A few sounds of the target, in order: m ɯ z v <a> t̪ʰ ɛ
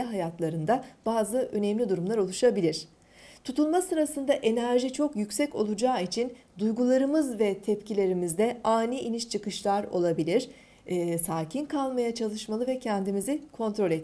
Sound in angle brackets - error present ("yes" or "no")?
yes